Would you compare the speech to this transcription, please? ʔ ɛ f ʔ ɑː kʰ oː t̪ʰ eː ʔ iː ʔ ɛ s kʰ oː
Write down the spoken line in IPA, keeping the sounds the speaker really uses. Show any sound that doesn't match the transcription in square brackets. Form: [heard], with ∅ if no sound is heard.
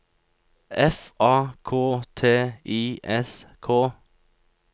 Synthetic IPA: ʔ ɛ f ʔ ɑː kʰ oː t̪ʰ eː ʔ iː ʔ ɛ s kʰ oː